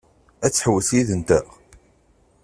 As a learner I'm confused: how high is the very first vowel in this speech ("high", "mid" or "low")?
low